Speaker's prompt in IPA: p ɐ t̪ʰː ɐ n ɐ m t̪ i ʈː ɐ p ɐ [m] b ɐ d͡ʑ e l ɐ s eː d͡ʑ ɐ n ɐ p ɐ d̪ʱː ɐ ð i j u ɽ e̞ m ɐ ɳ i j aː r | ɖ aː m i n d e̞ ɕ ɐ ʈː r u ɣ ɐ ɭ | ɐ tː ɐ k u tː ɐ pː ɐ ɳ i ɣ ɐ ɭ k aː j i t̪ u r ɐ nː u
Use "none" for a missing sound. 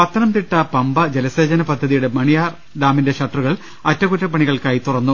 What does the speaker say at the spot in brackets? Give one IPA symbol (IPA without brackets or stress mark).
m